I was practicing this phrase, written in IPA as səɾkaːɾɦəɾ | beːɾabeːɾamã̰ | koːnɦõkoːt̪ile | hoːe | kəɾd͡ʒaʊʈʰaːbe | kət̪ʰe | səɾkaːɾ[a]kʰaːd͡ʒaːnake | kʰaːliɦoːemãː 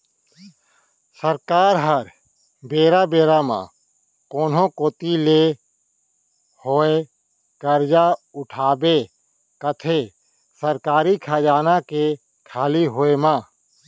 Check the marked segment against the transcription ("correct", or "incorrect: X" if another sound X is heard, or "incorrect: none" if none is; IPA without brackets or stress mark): incorrect: i